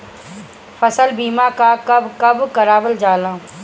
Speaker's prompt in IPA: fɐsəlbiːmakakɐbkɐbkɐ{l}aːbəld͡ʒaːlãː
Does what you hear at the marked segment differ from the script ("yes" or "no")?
yes